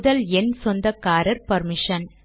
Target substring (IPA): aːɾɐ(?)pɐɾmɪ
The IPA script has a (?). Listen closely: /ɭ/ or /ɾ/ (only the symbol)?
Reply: ɾ